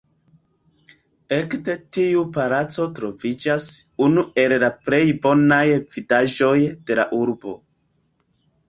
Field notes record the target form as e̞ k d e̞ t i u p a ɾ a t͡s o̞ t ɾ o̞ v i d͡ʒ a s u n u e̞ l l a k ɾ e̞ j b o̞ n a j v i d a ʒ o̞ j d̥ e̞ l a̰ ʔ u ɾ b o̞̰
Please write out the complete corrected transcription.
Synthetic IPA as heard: e̞ k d e̞ t i u p a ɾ a t͡s o̞ t ɾ o̞ v i d͡ʒ a s u n u e̞ l l a p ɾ e̞ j b o̞ n a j v i d a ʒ o̞ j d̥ e̞ l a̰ ʔ u ɾ b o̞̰

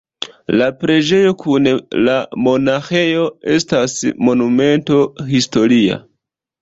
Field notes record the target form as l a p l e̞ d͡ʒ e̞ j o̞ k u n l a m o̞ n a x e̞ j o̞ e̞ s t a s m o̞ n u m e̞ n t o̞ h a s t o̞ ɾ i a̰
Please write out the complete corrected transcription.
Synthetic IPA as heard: l a p ɾ e̞ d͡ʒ e̞ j o̞ k u n l a m o̞ n a x e̞ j o̞ e̞ s t a s m o̞ n u m e̞ n t o̞ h i s t o̞ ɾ i a̰

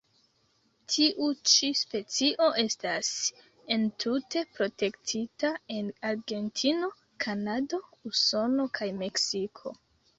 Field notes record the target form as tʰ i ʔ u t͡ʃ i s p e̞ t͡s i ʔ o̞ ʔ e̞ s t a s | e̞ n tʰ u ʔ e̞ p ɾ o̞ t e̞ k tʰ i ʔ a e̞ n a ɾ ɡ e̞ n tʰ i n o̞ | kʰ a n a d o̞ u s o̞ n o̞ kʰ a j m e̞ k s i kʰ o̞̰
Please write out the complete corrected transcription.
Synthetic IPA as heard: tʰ i ʔ u t͡ʃ i s p e̞ t͡s i ʔ o̞ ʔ e̞ s t a s | e̞ n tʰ u t e̞ p ɾ o̞ t e̞ k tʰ i t a e̞ n a ɾ ɡ e̞ n tʰ i n o̞ | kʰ a n a d o̞ u s o̞ n o̞ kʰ a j m e̞ k s i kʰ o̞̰

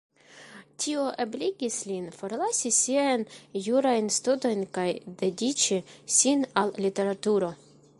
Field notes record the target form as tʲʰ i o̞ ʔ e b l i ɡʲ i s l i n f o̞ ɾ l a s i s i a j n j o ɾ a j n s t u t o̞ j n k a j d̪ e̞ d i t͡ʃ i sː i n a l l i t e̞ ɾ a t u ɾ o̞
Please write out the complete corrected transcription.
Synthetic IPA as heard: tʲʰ i o̞ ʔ e b l i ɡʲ i s l i n f o̞ ɾ l a s i s i a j n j u ɾ a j n s t u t o̞ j n k a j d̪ e̞ d i t͡ʃ i s i n a l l i t e̞ ɾ a t u ɾ o̞

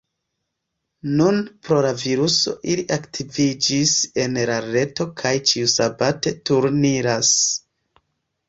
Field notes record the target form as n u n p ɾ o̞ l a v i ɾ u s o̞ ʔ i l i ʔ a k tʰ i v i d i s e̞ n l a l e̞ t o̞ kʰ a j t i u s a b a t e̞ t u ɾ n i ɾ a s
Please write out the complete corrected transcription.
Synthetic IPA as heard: n u n p ɾ o̞ l a v i ɾ u s o̞ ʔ i l i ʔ a k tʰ i v i d͡ʒ i s e̞ n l a ɾ e̞ t o̞ kʰ a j t͡ʃ i u s a b a t e̞ t u ɾ n i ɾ a s

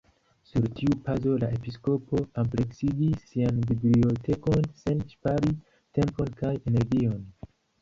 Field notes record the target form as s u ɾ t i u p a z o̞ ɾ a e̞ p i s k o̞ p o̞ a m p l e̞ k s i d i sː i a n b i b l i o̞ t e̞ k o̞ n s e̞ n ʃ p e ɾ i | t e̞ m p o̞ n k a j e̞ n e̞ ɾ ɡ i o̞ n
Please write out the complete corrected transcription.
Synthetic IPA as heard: s u ɾ t i u p a z o̞ l a e̞ p i s k o̞ p o̞ a m p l e̞ k s i ɡ i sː i a n b i b l i o̞ t e̞ k o̞ n s e̞ n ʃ p a ɾ i | t e̞ m p o̞ n k a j e̞ n e̞ ɾ ɡ i o̞ n

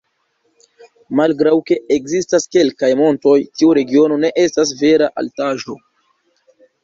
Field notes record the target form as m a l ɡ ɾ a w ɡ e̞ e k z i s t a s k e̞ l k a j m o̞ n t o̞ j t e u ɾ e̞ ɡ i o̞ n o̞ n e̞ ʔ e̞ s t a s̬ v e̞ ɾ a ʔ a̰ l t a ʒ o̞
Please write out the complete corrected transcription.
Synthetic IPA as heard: m a l ɡ ɾ a w k e̞ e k z i s t a s k e̞ l k a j m o̞ n t o̞ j t i u ɾ e̞ ɡ i o̞ n o̞ n e̞ ʔ e̞ s t a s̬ v e̞ ɾ a ʔ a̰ l t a ʒ o̞

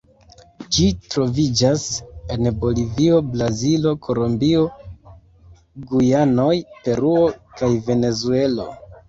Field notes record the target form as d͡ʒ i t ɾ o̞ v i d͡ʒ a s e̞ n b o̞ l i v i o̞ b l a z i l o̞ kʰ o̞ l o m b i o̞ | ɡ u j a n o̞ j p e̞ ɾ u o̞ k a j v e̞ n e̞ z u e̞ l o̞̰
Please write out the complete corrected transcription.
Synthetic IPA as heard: d͡ʒ i t ɾ o̞ v i d͡ʒ a s e̞ n b o̞ l i v i o̞ b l a z i l o̞ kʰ o̞ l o m b i o̞ | ɡ u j a n o̞ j p e̞ ɾ u o̞ k a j v e̞ n e̞ z u e̞ l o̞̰

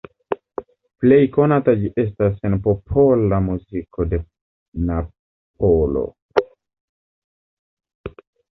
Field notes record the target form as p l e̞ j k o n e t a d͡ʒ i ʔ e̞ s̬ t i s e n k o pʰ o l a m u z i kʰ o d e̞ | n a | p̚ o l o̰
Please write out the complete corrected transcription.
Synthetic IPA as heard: p l e̞ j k o n a t a d͡ʒ i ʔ e̞ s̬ t a s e n p o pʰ o l a m u z i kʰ o d e̞ | n a | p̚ o l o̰

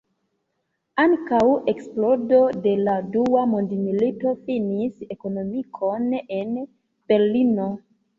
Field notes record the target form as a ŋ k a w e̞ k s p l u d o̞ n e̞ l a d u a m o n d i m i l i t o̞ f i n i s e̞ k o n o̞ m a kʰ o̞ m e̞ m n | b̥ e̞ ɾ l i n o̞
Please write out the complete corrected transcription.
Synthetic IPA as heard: a ŋ k a w e̞ k s p l o d o̞ d e̞ l a d u a m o n d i m i l i t o̞ f i n i s e̞ k o n o̞ m i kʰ o̞ n e̞ n | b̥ e̞ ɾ l i n o̞

